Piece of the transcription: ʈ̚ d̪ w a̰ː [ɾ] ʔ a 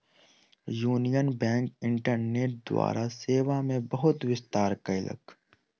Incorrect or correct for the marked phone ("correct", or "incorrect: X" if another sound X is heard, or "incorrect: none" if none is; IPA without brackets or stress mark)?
correct